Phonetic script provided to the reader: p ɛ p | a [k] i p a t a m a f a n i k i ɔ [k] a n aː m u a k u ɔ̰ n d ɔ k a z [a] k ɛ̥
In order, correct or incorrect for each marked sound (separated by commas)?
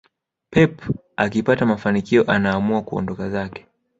correct, incorrect, correct